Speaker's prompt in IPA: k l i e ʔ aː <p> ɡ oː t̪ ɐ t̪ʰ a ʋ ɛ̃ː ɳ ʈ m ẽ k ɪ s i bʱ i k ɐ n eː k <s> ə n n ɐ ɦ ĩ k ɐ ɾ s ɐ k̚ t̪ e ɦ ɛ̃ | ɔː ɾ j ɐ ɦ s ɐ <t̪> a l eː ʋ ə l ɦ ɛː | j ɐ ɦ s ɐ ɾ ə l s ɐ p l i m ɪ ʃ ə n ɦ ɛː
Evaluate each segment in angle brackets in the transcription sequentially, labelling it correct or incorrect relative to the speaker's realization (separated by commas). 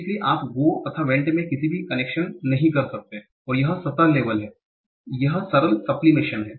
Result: correct, incorrect, correct